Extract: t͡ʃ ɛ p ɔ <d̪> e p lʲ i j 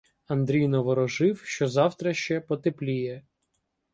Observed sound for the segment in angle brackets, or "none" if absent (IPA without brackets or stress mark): t̪